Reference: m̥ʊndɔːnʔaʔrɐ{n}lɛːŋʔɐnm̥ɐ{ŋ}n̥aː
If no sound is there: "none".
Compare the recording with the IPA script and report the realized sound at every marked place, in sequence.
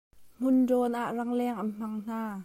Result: ŋ, ŋ

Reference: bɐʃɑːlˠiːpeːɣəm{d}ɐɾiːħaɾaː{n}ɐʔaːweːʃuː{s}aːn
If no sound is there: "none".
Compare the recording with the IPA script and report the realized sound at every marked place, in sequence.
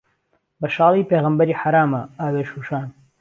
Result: b, m, ʃ

